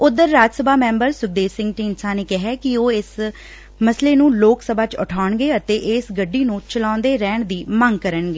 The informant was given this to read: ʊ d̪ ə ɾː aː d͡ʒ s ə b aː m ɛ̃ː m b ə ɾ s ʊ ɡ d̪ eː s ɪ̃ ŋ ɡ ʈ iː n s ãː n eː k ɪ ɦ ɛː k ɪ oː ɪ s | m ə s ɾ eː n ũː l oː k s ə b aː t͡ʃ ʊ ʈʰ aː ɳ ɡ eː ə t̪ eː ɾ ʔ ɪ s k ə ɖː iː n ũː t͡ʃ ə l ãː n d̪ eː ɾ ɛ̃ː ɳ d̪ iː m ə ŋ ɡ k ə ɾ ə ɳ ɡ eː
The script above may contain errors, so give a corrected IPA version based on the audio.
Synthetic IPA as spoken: ʊ d̪ ə ɾː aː d͡ʒ s ə b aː m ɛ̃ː m b ə ɾ s ʊ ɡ d̪ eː s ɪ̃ ŋ ɡ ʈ iː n s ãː n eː k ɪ ɦ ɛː k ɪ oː ɪ s | m ə s l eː n ũː l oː k s ə b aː t͡ʃ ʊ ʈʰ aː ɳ ɡ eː ə t̪ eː ʔ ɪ s ɡ ə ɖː iː n ũː t͡ʃ ə l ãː n d̪ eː ɾ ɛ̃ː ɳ d̪ iː m ə ŋ ɡ k ə ɾ ə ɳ ɡ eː